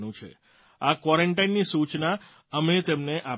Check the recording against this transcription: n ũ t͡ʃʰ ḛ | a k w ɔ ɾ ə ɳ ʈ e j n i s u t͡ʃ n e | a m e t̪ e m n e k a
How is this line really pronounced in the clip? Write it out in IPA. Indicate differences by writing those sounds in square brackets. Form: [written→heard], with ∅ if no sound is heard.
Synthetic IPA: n ũ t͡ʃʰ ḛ | a k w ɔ ɾ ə ɳ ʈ [e→a] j [n→nː] i s u t͡ʃ n [e→a] | [a→ə] m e t̪ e m n e [k→ʔ] a